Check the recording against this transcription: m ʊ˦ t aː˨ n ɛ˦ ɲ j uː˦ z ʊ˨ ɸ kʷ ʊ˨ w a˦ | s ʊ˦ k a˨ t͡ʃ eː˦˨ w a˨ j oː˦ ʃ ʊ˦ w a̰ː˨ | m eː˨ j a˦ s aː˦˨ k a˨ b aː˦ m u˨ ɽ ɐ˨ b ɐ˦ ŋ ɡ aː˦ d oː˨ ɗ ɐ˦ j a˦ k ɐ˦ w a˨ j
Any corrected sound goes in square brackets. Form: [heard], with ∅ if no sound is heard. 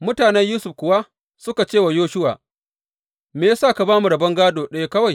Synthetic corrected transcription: m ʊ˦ t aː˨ n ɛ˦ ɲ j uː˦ [s] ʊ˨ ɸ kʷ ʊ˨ w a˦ | s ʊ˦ k a˨ t͡ʃ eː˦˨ w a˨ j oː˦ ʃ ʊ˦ w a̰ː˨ | m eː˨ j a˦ s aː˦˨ k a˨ b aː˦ m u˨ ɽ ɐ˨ b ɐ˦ ŋ ɡ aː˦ d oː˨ ɗ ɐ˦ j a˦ k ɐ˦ w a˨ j